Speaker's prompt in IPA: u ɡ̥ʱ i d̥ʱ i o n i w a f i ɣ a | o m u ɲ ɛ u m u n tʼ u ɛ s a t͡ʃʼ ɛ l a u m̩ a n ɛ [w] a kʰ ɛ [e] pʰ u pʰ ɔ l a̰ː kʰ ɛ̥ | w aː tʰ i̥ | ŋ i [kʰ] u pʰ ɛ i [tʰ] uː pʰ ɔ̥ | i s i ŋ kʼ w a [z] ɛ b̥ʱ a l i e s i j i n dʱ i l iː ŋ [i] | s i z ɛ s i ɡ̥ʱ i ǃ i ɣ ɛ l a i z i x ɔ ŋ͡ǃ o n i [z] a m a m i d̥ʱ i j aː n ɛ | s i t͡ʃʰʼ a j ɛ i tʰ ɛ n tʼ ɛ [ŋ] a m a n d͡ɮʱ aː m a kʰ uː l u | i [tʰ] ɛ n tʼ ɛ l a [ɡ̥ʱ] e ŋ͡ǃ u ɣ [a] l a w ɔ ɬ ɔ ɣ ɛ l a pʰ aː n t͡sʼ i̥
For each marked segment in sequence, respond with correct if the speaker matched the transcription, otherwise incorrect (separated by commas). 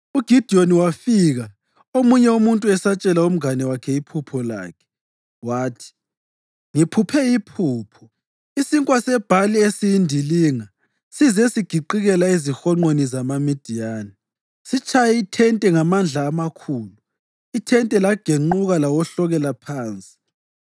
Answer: correct, incorrect, incorrect, incorrect, incorrect, incorrect, correct, correct, correct, correct, correct